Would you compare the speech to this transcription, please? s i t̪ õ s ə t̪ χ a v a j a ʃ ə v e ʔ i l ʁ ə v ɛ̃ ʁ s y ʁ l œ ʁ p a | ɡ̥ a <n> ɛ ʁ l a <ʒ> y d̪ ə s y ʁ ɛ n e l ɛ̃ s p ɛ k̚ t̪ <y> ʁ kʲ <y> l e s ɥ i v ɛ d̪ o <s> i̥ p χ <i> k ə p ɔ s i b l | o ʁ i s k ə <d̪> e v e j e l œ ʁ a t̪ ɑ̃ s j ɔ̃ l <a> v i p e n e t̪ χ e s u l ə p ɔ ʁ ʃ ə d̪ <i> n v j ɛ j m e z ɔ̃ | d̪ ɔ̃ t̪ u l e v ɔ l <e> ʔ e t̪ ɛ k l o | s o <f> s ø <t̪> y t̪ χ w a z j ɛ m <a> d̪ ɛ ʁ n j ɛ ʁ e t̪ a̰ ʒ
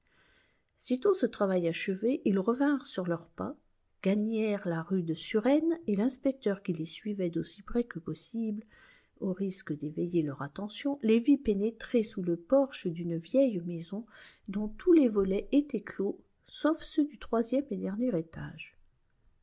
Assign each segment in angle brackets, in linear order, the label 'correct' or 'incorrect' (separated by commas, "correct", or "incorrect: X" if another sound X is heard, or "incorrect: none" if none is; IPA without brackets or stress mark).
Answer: incorrect: ɲ, incorrect: ʁ, incorrect: œ, incorrect: i, correct, incorrect: ɛ, correct, incorrect: e, incorrect: y, incorrect: ɛ, correct, incorrect: d̪, incorrect: e